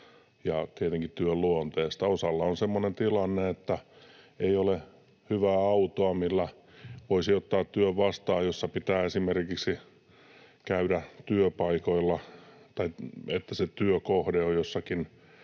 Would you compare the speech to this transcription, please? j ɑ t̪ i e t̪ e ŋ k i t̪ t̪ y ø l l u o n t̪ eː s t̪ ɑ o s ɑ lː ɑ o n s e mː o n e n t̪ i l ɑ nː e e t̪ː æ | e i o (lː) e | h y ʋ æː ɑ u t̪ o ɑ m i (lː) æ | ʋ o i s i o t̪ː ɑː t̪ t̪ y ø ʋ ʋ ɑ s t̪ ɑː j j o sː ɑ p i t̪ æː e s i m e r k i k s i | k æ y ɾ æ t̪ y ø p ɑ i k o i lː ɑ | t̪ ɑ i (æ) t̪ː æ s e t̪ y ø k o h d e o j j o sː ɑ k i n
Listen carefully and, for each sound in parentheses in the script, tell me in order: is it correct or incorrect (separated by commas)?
incorrect, correct, incorrect